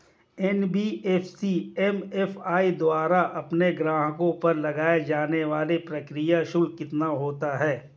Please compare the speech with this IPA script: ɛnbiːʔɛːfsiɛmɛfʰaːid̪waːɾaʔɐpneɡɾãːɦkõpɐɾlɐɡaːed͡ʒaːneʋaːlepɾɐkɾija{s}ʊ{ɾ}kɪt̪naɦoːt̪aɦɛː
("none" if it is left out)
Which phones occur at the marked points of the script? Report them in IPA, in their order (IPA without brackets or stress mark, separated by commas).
ʃ, l